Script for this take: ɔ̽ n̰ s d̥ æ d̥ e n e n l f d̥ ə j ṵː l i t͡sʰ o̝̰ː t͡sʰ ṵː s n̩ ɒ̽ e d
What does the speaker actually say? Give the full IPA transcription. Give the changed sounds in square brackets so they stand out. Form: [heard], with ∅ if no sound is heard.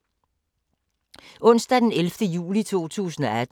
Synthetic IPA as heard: ɔ̽ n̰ s d̥ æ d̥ e n e [∅] l f d̥ ə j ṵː l i t͡sʰ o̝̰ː t͡sʰ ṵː s n̩ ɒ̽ [æ] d